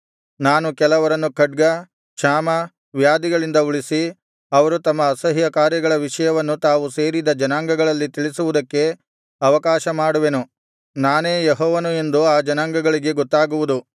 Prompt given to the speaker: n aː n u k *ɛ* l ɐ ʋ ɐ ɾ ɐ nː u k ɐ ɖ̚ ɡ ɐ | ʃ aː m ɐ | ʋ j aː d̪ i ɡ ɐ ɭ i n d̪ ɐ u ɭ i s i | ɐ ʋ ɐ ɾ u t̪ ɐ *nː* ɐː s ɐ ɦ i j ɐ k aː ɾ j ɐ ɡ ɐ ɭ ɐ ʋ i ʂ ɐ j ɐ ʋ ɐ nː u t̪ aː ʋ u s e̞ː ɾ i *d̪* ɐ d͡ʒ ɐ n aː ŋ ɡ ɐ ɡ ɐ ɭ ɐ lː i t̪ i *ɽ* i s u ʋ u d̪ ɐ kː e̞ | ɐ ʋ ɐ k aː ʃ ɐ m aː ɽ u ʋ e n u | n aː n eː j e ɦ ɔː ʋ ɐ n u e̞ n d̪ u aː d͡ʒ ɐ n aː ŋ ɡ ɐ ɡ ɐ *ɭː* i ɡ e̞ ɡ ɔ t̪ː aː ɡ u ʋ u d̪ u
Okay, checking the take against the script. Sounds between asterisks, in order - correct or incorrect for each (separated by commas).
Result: correct, incorrect, correct, incorrect, incorrect